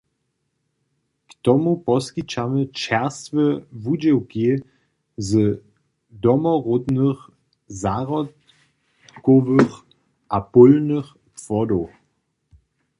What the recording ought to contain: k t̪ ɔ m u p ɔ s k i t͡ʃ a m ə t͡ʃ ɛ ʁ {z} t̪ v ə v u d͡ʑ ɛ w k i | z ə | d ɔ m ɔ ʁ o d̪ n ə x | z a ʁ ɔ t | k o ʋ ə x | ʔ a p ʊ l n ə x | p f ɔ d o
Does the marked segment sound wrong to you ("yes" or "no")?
yes